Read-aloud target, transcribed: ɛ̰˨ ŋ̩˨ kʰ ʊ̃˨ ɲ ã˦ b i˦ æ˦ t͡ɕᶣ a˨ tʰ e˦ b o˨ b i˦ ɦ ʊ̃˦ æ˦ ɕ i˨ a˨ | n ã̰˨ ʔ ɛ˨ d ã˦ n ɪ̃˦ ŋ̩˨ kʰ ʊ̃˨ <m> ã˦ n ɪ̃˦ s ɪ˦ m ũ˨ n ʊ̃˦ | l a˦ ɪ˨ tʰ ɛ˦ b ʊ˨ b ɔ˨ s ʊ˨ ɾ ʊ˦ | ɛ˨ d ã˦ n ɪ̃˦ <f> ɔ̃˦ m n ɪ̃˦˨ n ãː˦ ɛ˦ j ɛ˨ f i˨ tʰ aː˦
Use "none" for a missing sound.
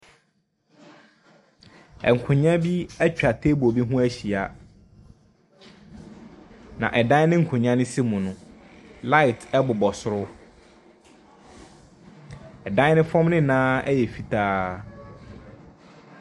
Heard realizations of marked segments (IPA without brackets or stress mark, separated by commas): ɲ, f